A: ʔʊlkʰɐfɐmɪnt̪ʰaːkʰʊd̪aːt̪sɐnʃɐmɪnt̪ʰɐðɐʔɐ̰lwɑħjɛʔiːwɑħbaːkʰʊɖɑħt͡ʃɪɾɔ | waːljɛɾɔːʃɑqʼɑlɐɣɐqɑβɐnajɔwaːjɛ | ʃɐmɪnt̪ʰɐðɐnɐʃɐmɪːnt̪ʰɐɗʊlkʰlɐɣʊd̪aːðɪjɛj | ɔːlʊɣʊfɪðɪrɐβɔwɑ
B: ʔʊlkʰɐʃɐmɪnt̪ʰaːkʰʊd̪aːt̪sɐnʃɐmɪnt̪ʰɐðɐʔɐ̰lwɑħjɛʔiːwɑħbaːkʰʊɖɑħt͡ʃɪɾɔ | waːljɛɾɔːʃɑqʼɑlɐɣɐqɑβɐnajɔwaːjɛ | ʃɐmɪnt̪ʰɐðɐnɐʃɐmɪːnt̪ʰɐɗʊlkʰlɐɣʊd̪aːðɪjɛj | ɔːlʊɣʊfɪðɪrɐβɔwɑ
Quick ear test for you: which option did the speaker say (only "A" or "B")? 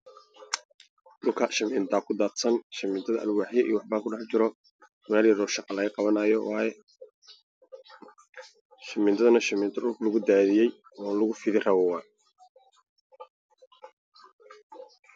B